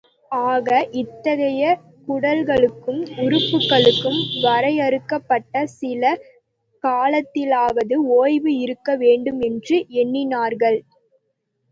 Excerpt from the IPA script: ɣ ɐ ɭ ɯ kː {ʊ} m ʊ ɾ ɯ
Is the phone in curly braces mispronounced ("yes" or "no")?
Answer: yes